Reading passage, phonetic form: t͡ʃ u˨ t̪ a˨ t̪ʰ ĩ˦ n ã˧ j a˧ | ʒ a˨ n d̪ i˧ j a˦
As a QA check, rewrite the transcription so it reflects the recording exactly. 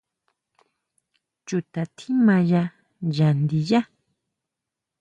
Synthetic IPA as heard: t͡ʃ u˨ t̪ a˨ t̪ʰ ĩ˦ m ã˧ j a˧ | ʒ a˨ n d̪ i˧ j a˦